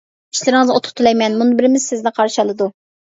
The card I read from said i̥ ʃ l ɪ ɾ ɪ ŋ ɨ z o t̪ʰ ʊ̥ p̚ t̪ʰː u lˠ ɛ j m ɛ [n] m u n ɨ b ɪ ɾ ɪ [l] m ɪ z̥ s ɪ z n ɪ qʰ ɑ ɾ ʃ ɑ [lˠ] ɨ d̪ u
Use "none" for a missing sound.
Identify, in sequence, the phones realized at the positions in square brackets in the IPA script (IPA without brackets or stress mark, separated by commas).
n, none, lˠ